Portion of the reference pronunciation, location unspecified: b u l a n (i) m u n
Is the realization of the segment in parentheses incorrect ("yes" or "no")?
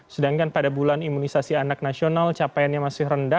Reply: no